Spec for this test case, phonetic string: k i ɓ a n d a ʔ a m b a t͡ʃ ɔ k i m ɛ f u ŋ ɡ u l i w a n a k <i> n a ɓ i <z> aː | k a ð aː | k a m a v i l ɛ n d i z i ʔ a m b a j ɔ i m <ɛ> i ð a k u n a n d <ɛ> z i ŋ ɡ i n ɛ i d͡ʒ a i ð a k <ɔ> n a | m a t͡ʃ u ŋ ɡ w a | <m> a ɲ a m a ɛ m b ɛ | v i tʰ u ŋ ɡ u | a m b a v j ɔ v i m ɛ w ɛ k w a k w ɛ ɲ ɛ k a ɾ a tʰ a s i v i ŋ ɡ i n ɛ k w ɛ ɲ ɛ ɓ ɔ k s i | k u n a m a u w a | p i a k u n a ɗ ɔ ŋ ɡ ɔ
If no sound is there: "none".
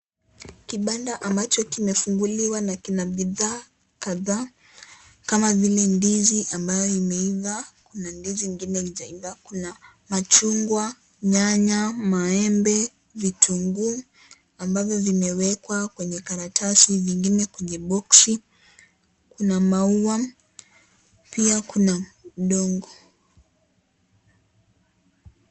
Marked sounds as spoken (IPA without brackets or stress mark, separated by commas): i, ð, ɛ, i, u, ɲ